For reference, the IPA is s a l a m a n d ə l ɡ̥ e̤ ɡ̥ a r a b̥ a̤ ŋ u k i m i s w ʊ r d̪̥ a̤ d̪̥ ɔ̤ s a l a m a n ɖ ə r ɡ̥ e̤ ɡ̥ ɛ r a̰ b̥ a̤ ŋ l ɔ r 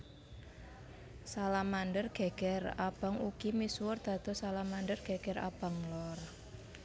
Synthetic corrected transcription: s a l a m a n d ə r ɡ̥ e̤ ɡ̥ ɛ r a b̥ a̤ ŋ u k i m i s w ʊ r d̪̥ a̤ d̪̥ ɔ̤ s a l a m a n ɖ ə r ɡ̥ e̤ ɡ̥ ɛ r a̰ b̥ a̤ ŋ l ɔ r